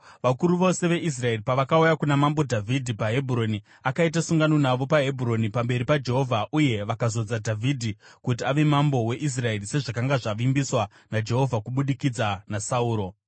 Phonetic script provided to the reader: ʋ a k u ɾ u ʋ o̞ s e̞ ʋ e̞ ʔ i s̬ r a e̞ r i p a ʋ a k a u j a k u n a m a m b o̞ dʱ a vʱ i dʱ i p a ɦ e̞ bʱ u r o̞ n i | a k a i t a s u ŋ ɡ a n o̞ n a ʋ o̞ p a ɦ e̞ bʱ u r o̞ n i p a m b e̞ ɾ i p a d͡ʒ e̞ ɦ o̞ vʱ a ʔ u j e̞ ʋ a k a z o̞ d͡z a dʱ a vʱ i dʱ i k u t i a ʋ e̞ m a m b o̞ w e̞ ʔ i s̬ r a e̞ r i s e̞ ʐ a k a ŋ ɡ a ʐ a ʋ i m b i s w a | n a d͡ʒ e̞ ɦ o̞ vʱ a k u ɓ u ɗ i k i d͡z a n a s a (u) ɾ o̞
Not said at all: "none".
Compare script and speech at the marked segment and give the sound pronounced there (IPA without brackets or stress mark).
uː